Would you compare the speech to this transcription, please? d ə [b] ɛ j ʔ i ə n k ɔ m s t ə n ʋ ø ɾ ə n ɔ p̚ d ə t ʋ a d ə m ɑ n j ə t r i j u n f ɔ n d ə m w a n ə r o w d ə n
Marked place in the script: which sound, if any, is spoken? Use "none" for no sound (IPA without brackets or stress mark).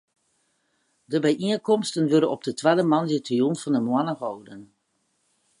b